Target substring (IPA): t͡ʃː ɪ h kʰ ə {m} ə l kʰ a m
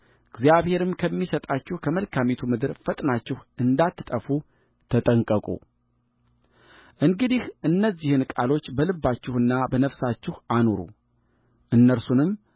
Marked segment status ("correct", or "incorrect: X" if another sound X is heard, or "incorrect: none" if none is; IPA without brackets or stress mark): correct